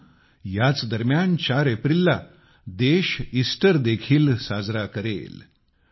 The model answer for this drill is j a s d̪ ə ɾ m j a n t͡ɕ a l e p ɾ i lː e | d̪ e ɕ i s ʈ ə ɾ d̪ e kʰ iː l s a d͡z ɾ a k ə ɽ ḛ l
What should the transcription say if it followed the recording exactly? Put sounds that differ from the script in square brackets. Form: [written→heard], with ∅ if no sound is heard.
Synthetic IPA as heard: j a [s→t͡s] d̪ ə ɾ m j a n t͡ɕ a [l→ɾ] e p ɾ i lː [e→a] | d̪ e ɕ i s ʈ ə ɾ d̪ e kʰ iː l s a d͡z ɾ a k ə [ɽ→ɾ] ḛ l